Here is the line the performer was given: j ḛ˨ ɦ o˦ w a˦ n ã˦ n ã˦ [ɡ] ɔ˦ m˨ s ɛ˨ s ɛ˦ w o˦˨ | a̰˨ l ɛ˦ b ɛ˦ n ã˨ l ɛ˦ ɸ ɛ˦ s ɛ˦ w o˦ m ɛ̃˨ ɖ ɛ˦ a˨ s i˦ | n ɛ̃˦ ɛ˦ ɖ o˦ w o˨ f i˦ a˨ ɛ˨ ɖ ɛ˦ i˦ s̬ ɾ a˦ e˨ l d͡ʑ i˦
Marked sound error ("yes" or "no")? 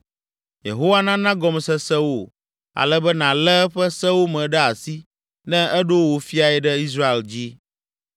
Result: no